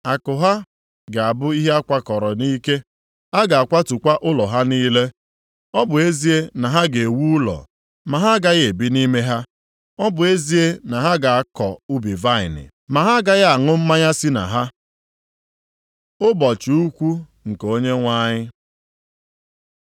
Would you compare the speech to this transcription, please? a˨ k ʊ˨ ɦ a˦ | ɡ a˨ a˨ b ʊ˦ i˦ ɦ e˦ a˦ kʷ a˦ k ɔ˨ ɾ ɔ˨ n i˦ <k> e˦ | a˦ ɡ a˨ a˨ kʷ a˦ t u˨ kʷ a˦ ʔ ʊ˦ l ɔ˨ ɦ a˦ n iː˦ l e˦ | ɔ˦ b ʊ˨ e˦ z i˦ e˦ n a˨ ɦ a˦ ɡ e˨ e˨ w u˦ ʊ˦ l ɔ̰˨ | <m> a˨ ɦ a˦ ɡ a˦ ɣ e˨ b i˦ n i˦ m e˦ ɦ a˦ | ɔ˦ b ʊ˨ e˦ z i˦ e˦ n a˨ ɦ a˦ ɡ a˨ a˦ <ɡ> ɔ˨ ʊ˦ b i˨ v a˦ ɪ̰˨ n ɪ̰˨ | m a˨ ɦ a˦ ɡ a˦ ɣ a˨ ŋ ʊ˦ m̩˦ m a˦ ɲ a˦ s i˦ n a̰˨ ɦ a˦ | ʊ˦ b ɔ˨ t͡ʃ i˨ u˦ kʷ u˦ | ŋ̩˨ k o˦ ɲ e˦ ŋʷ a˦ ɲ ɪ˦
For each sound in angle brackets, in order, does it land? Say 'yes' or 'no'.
yes, yes, no

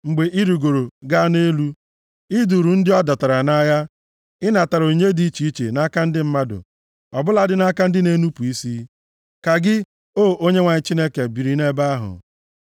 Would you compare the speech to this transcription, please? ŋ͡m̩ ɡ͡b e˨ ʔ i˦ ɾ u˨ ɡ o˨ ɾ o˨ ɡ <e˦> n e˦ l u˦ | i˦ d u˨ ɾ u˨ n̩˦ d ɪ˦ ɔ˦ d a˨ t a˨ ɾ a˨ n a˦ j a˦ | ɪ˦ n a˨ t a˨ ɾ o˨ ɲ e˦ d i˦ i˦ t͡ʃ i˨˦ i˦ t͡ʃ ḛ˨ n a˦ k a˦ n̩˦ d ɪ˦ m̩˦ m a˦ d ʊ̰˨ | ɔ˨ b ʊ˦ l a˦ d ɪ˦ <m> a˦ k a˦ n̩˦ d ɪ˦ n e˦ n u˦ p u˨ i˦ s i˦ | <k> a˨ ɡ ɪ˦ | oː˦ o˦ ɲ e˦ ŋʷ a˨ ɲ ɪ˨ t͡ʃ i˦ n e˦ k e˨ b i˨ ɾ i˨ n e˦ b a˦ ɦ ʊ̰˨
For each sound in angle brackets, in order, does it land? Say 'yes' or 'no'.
no, no, yes

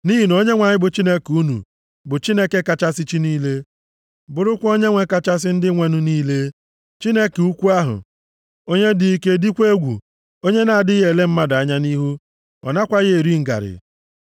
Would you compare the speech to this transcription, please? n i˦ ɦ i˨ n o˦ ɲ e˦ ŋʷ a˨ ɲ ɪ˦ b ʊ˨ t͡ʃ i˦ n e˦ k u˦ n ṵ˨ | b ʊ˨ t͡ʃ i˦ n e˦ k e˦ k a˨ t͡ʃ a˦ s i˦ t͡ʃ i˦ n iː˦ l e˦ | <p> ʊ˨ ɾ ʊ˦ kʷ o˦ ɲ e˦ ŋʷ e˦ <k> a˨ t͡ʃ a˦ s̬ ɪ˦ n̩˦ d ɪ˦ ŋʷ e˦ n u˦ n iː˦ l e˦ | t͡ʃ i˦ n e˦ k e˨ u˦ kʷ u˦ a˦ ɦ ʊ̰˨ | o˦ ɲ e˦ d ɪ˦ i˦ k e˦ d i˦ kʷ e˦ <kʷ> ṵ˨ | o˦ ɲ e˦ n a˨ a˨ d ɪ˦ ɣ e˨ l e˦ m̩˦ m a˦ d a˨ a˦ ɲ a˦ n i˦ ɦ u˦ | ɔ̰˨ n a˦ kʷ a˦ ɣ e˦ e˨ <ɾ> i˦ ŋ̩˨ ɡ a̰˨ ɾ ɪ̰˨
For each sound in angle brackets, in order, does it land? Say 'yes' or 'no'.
no, yes, no, yes

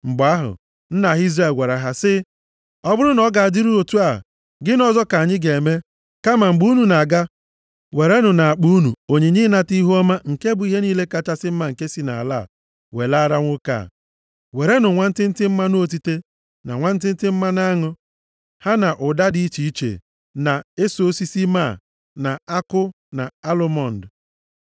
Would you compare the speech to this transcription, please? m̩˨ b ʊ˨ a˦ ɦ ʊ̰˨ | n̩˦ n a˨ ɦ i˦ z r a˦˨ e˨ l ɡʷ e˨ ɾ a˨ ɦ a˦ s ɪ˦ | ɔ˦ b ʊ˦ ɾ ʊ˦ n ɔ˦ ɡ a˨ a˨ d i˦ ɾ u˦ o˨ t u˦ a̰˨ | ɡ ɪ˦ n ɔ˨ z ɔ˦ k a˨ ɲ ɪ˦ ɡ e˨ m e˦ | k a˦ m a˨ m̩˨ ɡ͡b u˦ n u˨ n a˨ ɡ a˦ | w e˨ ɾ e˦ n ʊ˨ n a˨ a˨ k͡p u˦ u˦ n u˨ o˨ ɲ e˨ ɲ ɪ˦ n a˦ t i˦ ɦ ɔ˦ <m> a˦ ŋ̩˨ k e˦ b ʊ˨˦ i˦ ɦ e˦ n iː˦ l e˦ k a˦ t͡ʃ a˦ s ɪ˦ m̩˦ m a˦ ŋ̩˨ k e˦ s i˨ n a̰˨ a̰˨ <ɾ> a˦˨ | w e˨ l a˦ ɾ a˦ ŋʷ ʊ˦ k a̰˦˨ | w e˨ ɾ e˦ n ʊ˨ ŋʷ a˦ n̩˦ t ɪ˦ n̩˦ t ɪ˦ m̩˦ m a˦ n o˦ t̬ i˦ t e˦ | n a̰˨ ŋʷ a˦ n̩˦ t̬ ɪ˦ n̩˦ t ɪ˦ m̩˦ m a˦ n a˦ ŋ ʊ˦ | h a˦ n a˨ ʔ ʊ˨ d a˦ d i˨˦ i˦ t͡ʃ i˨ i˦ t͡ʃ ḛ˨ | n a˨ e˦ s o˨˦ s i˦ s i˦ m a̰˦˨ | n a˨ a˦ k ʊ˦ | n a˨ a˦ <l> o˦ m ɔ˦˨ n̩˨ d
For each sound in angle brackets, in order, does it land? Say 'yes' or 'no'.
yes, no, yes

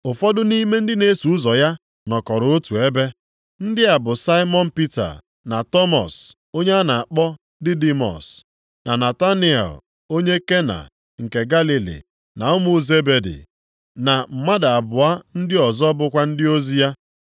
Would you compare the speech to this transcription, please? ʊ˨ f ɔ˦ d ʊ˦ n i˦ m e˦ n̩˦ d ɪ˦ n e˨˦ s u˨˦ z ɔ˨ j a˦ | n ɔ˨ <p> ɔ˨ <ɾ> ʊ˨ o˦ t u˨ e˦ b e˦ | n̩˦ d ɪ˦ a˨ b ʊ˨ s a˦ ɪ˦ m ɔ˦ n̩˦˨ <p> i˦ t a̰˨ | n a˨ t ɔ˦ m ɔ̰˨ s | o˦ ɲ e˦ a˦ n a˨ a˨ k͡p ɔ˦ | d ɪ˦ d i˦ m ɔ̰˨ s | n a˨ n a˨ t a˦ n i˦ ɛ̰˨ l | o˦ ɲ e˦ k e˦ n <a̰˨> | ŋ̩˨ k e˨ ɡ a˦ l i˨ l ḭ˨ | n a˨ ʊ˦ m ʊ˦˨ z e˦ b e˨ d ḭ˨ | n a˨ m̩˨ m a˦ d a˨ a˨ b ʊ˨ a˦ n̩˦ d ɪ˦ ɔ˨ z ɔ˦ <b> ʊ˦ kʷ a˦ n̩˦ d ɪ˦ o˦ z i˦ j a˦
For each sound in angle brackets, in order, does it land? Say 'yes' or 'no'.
no, yes, yes, yes, yes

